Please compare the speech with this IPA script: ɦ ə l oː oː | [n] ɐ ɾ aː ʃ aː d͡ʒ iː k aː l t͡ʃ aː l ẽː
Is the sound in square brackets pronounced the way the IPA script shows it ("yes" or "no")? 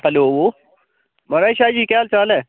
no